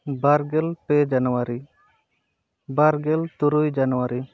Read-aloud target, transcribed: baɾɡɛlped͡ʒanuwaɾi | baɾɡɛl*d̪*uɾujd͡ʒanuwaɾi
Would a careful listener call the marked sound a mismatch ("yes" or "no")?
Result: yes